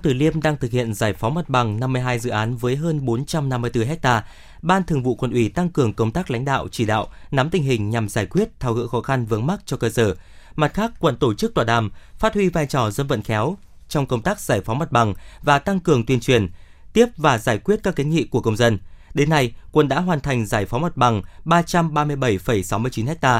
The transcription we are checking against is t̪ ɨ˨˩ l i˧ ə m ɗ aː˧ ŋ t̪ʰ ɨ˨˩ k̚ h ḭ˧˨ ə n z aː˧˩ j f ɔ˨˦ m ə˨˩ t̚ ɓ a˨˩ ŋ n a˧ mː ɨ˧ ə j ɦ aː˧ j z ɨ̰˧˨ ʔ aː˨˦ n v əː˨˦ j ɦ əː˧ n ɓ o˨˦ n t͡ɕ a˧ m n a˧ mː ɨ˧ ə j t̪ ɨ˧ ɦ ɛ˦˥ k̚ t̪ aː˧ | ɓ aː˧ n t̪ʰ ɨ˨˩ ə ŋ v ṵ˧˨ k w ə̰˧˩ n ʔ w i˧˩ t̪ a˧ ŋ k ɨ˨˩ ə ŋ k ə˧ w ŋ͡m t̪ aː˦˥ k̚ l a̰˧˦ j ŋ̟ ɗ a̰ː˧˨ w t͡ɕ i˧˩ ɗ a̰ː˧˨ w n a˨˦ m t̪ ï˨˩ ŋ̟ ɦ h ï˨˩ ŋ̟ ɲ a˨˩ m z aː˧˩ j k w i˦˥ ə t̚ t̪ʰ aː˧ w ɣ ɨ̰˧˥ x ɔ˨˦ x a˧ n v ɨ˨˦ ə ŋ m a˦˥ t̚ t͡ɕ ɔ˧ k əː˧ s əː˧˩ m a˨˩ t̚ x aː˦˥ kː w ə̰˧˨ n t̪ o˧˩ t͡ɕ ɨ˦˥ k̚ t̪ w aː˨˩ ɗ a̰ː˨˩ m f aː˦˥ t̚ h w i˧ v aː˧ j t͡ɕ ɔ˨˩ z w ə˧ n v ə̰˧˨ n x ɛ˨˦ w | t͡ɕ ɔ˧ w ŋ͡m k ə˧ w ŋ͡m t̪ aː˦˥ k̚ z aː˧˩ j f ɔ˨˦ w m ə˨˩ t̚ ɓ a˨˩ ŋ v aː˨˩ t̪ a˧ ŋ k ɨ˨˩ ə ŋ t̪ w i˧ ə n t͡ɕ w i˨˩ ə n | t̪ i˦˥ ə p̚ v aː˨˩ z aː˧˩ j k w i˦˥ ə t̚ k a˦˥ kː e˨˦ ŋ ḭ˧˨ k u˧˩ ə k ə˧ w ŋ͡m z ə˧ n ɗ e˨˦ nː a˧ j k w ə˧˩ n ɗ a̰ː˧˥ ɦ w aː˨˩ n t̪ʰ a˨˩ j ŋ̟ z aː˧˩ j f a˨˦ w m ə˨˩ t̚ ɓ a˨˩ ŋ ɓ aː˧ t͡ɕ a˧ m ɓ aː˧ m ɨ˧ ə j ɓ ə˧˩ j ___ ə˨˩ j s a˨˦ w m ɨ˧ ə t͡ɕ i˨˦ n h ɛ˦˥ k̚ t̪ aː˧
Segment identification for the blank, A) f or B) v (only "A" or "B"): A